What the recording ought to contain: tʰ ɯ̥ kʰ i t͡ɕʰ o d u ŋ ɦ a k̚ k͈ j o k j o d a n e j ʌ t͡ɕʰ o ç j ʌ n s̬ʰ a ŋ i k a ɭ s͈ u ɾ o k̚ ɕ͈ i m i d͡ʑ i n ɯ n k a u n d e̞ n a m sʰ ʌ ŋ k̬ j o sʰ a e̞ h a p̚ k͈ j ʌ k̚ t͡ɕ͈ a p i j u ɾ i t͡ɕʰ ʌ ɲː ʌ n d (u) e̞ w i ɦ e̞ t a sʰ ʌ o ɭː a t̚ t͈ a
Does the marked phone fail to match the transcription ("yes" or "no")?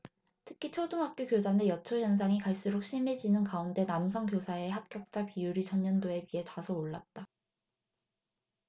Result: yes